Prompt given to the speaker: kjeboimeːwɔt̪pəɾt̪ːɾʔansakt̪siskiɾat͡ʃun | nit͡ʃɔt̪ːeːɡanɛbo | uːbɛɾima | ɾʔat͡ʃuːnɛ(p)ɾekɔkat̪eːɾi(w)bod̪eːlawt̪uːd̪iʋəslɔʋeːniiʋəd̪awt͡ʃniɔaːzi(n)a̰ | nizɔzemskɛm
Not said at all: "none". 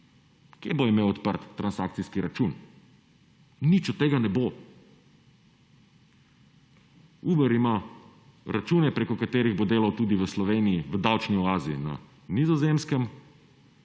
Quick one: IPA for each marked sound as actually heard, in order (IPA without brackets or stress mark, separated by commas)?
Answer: p, ɣ, n